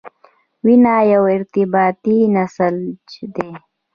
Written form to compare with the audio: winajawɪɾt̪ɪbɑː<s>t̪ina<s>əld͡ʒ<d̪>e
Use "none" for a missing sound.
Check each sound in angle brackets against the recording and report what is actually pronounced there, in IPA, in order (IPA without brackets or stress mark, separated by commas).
none, s, d̪